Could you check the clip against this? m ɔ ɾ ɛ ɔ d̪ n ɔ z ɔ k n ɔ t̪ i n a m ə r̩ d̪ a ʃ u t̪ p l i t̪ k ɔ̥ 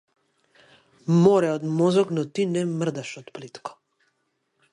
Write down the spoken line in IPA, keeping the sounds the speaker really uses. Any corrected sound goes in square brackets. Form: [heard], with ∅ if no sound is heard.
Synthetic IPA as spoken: m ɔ ɾ ɛ ɔ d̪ [m] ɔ z ɔ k n ɔ t̪ i n [ɛ] m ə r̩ d̪ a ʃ [ɔ] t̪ p l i t̪ k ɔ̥